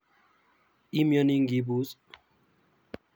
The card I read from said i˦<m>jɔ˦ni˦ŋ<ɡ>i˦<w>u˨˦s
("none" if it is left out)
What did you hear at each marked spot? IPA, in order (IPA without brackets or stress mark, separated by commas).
m, ɡ, b